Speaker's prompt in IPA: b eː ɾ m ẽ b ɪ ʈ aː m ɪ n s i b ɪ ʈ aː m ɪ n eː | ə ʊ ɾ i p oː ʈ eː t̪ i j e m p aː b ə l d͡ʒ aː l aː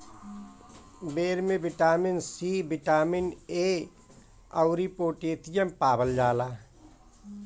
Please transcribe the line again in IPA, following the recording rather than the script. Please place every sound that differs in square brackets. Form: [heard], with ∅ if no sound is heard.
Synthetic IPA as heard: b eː ɾ m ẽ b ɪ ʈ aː m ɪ n s i b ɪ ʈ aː m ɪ n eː | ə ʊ ɾ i p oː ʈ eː t̪ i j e m p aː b ə l d͡ʒ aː l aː